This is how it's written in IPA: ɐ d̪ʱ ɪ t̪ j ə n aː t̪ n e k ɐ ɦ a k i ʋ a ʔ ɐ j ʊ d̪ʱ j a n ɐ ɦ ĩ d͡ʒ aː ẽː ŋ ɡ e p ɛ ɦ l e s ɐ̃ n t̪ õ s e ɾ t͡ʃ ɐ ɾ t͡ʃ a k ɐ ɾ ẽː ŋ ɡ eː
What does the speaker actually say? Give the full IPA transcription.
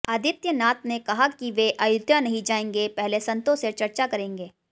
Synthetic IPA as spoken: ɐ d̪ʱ ɪ t̪ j ə n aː t̪ n e k ɐ ɦ a k i ʋ e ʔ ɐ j ʊ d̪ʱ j a n ɐ ɦ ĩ d͡ʒ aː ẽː ŋ ɡ e p ɛ ɦ l e s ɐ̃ n t̪ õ s e ɾ t͡ʃ ɐ ɾ t͡ʃ a k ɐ ɾ ẽː ŋ ɡ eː